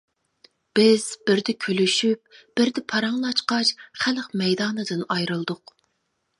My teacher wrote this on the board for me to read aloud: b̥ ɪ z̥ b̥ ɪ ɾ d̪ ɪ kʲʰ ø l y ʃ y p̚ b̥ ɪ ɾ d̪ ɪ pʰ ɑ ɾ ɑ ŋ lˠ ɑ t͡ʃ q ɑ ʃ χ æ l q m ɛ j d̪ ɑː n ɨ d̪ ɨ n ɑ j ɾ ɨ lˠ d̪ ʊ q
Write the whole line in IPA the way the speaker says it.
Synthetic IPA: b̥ ɪ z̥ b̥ ɪ ɾ d̪ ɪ kʲʰ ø l y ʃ y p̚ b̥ ɪ ɾ d̪ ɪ pʰ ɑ ɾ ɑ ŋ lˠ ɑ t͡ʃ q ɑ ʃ χ æ l q m ɛ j d̪ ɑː n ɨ d̪ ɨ n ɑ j ɾ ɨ lˠ d̪ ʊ q